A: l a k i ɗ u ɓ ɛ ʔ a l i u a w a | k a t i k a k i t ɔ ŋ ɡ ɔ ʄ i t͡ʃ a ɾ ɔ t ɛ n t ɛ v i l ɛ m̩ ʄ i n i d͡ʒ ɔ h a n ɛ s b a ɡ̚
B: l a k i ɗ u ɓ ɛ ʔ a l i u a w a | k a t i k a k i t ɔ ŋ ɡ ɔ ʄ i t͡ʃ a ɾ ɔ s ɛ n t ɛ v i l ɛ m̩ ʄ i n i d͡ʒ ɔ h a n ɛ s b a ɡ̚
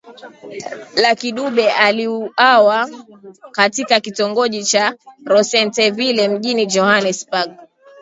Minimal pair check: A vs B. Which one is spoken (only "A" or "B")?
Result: B